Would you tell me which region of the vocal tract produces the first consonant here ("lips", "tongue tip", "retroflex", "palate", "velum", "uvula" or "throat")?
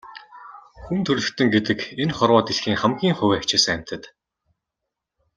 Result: velum